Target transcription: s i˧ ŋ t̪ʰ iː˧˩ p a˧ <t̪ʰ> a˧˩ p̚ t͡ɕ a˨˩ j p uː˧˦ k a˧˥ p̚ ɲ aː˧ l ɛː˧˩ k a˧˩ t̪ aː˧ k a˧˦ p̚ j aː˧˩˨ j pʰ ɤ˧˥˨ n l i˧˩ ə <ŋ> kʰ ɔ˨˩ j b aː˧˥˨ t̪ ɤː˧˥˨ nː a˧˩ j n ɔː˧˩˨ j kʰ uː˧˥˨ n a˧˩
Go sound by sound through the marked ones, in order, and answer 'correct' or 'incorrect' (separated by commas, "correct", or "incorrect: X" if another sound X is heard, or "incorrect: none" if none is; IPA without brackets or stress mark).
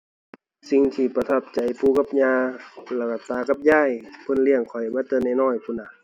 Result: correct, correct